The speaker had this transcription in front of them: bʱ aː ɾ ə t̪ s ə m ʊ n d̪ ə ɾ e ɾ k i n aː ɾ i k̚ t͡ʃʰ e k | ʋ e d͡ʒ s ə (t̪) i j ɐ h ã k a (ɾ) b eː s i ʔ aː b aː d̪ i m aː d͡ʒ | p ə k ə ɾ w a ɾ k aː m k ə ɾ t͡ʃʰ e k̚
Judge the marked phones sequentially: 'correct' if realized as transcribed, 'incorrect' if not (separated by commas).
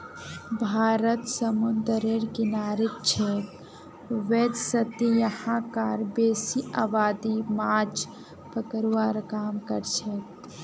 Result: correct, correct